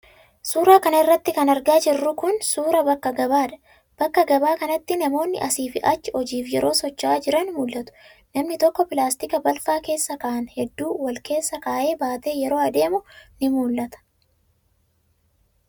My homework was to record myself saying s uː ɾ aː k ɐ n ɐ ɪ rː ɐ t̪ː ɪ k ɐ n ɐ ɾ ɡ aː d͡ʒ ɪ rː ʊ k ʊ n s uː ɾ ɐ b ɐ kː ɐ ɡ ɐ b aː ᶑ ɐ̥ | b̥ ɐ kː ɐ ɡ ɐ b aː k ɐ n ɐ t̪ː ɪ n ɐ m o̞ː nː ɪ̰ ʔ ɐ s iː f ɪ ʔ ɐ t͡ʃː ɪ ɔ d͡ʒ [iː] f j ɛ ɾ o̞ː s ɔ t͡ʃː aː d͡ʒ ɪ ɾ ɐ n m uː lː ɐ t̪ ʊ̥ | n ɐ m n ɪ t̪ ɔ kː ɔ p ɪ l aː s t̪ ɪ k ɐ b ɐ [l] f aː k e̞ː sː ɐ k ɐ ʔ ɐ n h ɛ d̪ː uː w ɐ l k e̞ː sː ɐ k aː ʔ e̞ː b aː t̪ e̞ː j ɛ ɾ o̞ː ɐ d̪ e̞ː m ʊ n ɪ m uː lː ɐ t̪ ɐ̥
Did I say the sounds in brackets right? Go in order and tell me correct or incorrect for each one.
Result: correct, correct

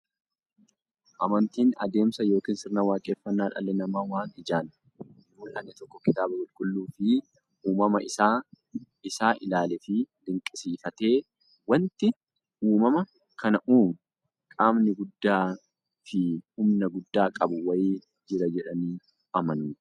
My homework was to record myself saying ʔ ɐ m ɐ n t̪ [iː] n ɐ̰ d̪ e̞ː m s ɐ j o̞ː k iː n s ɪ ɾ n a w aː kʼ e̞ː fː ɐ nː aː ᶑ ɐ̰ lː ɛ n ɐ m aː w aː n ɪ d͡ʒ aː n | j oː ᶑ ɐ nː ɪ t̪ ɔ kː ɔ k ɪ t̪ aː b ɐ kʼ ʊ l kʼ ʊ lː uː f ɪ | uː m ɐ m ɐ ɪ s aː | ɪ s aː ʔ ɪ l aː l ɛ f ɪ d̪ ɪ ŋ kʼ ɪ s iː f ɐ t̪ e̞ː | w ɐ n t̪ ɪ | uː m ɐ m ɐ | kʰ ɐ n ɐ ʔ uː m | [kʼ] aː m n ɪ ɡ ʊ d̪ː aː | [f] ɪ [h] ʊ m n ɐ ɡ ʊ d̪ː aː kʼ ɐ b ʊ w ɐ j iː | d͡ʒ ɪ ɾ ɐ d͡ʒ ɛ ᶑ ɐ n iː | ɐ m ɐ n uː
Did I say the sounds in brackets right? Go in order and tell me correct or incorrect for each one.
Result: correct, correct, correct, correct

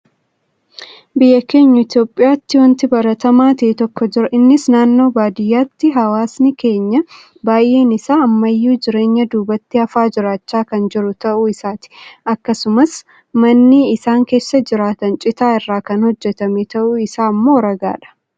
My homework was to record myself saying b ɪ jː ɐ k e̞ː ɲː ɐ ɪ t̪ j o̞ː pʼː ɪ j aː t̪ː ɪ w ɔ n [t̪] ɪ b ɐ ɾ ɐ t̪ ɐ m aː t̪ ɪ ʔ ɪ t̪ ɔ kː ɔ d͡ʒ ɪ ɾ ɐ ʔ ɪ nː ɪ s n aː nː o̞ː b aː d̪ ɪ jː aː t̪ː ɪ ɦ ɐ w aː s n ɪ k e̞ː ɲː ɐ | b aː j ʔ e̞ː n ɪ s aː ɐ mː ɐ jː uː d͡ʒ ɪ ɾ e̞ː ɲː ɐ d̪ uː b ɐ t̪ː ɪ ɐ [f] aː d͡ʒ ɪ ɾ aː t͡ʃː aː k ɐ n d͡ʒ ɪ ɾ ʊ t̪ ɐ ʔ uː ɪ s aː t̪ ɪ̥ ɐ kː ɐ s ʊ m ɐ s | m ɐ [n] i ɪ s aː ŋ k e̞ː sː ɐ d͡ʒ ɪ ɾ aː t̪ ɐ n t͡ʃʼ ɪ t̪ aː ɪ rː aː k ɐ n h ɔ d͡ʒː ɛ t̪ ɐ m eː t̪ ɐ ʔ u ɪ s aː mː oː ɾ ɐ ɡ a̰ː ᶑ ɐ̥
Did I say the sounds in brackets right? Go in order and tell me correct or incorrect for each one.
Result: correct, correct, incorrect: nː

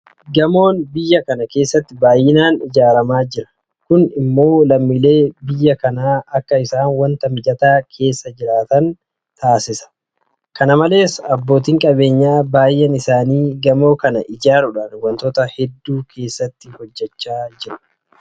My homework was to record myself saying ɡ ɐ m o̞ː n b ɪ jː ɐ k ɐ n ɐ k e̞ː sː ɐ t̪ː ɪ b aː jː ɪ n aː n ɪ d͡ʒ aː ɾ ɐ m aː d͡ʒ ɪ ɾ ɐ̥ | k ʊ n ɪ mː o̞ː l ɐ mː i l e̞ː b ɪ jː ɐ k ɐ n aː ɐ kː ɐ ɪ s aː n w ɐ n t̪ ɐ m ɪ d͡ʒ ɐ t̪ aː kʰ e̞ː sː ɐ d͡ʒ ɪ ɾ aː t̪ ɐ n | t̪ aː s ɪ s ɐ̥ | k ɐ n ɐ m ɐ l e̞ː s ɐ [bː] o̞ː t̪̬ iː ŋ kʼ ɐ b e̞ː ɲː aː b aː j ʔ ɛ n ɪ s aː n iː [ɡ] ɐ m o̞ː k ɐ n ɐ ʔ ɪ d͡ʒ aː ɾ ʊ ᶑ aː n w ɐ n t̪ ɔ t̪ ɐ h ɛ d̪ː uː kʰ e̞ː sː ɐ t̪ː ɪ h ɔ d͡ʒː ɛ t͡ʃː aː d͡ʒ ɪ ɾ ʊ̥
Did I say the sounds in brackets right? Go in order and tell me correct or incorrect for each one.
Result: correct, correct

